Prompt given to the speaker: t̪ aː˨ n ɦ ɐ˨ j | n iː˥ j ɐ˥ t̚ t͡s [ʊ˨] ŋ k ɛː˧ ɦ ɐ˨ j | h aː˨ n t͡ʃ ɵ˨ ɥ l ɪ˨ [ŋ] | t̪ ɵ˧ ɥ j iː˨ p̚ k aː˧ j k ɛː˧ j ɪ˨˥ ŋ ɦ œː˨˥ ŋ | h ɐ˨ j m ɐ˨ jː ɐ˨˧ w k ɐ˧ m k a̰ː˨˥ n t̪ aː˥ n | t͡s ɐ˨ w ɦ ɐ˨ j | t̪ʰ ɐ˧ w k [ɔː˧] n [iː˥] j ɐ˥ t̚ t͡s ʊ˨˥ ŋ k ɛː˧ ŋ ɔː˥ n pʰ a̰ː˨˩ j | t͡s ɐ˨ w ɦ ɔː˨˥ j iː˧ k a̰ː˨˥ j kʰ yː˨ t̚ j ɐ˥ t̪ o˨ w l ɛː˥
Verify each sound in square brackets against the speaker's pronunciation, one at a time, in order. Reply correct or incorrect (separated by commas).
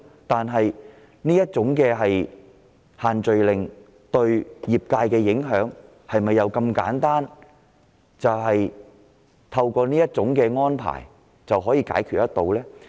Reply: incorrect, correct, correct, correct